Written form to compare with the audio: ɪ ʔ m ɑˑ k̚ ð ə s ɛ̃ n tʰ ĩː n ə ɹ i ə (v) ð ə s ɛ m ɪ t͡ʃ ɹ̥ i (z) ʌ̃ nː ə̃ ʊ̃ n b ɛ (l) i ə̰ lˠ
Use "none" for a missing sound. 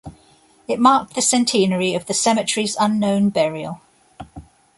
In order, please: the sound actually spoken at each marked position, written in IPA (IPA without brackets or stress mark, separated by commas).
v, z, ɹ